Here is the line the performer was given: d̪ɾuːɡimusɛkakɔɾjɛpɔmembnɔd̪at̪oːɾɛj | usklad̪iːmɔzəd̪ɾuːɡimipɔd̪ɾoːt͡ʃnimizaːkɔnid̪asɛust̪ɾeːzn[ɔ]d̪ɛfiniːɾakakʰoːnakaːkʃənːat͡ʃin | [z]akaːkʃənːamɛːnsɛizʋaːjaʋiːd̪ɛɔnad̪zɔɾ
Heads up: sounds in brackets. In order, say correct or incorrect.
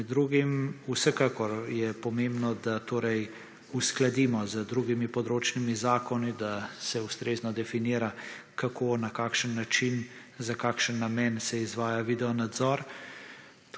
correct, correct

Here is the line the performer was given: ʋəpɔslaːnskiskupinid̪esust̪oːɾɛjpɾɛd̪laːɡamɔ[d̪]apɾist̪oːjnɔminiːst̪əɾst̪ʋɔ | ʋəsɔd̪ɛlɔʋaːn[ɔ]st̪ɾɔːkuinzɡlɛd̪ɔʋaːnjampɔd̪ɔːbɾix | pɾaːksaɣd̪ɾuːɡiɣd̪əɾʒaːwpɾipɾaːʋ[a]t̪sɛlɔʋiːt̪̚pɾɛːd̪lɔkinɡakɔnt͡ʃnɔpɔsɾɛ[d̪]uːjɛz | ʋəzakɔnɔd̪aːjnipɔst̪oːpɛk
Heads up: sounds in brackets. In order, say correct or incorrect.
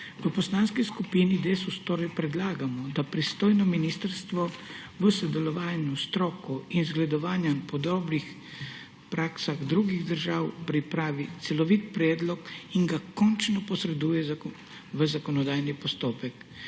correct, incorrect: u, incorrect: i, correct

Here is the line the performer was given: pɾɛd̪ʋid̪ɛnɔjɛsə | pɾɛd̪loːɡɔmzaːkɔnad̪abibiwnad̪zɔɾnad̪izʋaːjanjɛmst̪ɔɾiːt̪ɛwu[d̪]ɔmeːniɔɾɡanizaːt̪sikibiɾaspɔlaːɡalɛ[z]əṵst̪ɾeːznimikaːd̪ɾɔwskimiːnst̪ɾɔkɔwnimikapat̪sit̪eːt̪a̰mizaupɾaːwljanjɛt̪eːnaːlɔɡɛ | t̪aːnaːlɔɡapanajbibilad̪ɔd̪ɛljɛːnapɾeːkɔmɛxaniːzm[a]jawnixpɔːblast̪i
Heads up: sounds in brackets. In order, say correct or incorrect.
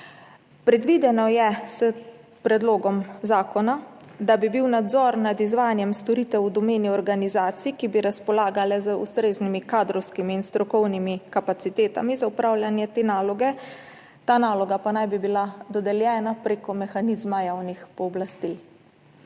correct, correct, correct

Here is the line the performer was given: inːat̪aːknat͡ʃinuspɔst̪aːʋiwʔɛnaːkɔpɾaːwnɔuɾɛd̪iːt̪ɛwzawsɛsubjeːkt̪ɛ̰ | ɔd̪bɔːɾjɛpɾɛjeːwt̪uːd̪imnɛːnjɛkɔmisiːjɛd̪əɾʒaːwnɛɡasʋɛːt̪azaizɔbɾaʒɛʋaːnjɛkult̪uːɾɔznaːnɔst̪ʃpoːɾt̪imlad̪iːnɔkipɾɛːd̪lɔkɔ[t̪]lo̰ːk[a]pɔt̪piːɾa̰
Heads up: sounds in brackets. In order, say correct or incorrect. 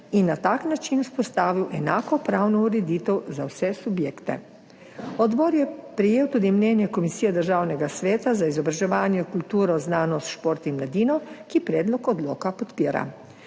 incorrect: d̪, correct

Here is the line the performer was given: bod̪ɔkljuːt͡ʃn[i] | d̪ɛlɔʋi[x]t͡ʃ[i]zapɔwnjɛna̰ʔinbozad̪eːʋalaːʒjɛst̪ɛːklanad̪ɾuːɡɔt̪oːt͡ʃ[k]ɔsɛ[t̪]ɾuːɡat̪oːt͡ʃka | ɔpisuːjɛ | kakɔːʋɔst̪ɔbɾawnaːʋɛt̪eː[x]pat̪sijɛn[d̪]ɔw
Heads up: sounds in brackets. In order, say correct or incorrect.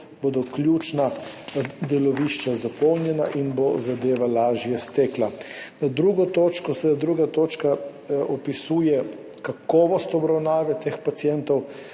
incorrect: a, incorrect: ʃ, incorrect: a, correct, incorrect: d̪, correct, incorrect: t̪

